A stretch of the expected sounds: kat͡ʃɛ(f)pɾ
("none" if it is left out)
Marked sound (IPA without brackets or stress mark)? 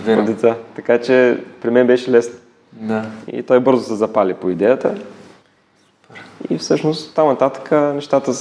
none